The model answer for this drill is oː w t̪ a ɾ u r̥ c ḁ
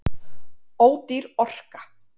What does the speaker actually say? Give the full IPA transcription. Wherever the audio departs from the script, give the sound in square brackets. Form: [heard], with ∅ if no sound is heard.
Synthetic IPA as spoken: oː w t̪ [i] ɾ [ɔ] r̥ [k] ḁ